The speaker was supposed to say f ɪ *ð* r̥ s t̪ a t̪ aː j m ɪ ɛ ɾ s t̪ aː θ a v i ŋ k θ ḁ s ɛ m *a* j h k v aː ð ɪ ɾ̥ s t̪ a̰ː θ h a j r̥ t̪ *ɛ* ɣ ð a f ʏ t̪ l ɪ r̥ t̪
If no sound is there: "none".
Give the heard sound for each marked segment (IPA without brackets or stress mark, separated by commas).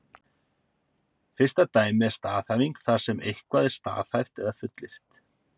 none, e, ɛ